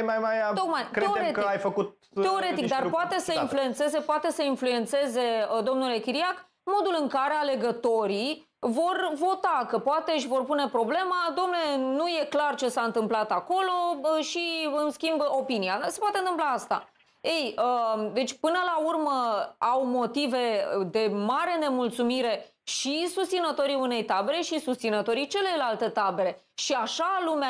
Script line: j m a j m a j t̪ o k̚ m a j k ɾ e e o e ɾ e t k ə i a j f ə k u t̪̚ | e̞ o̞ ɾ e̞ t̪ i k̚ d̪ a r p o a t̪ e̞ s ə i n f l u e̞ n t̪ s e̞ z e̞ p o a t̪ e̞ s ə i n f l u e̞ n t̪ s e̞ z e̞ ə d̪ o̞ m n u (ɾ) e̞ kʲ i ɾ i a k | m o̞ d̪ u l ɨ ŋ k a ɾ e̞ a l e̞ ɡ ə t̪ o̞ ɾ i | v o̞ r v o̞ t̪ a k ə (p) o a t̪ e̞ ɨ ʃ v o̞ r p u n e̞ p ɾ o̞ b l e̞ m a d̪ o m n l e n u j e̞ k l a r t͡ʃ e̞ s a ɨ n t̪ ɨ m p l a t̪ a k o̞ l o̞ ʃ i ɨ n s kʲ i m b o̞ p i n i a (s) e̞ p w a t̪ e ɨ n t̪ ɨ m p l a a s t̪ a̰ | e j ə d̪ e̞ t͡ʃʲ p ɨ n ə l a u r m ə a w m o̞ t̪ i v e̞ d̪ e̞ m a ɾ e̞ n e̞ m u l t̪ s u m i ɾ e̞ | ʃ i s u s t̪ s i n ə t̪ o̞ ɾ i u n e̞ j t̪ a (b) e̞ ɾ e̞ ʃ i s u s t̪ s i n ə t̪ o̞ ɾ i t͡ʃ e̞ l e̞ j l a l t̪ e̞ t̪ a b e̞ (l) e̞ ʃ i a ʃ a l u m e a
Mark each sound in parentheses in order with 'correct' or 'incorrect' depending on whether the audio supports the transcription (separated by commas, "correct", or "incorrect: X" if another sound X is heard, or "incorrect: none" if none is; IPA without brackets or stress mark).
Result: incorrect: l, correct, correct, correct, incorrect: ɾ